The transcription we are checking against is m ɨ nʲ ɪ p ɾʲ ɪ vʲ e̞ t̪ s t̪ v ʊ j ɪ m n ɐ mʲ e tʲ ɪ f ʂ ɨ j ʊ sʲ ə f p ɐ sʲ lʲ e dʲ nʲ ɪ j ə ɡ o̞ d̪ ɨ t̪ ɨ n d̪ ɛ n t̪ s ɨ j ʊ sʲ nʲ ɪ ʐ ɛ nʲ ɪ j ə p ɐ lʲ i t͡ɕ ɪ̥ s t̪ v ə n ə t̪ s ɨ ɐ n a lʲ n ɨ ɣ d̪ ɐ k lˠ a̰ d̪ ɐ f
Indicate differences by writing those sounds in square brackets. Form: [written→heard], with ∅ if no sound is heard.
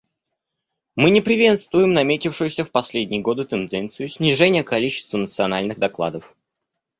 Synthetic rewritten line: m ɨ nʲ ɪ p ɾʲ ɪ vʲ e̞ t̪ s t̪ v ʊ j ɪ m n ɐ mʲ e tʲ ɪ f ʂ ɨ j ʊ sʲ ə f p ɐ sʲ lʲ e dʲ nʲ ɪ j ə ɡ o̞ d̪ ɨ t̪ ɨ n d̪ ɛ n t̪ s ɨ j ʊ sʲ nʲ ɪ ʐ ɛ nʲ ɪ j ə [p→k] ɐ lʲ i t͡ɕ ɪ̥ s t̪ v ə n ə t̪ s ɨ ɐ n a lʲ n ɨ ɣ d̪ ɐ k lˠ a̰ d̪ [ɐ→ə] f